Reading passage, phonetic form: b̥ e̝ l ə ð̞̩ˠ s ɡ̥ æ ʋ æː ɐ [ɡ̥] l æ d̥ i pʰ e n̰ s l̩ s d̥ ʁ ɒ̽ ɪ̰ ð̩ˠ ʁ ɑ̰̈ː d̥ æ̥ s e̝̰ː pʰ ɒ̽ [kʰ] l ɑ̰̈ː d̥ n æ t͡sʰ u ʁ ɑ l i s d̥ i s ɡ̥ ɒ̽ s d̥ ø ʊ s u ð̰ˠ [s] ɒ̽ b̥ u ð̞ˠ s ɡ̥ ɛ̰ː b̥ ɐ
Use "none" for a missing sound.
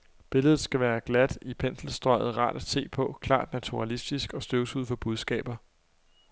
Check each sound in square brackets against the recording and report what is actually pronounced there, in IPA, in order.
ɡ̥, kʰ, f

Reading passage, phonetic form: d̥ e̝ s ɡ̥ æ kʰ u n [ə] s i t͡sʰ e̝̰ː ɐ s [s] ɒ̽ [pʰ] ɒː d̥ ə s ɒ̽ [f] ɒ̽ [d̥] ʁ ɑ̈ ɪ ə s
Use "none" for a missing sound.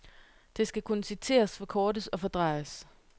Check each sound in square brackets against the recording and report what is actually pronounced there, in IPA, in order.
ə, f, kʰ, f, d̥

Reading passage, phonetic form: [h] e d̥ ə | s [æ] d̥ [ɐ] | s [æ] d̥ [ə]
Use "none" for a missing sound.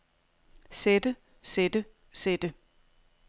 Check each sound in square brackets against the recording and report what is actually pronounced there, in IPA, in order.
s, e, ə, e, ə

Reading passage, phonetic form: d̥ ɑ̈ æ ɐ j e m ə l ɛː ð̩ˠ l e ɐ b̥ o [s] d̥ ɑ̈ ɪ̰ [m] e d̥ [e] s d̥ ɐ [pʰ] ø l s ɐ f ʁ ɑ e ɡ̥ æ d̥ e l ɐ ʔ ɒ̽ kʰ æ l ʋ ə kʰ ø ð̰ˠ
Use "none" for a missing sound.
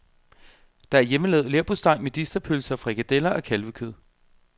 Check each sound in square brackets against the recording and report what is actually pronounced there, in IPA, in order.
s, m, i, pʰ

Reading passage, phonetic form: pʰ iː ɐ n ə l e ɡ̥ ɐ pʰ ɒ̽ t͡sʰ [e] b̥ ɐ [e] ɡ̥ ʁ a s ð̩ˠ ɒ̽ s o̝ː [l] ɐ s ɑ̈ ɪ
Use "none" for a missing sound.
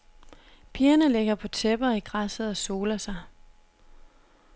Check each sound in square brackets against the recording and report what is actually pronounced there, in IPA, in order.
e, i, l

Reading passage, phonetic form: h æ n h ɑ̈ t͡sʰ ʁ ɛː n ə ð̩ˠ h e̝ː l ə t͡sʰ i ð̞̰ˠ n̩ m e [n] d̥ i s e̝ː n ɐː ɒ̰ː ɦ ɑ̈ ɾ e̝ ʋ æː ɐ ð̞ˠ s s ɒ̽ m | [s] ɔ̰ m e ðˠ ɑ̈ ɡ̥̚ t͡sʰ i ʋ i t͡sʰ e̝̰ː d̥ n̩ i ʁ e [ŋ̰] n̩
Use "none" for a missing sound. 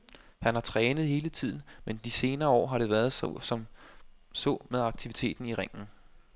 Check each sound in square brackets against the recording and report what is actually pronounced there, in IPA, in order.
n, s, ŋ̰

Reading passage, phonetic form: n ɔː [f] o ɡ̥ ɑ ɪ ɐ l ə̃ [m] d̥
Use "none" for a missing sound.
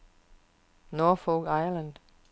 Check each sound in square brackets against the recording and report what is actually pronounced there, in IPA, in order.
f, n

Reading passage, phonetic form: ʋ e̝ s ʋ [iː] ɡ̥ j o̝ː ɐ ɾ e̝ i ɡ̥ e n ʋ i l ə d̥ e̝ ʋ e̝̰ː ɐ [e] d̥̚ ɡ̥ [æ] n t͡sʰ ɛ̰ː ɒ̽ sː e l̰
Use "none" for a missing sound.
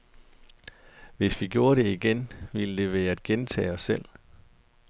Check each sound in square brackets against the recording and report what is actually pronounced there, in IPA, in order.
i, æ, e

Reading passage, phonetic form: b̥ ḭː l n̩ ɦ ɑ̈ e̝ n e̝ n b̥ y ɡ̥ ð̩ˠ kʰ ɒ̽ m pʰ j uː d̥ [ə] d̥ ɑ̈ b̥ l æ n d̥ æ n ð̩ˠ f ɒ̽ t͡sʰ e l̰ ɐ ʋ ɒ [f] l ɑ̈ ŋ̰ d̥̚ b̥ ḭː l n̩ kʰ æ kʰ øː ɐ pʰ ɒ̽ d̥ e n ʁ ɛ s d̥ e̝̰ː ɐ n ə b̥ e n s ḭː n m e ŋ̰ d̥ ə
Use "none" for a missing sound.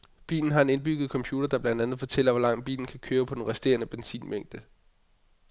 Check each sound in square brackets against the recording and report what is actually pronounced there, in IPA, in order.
ɐ, none

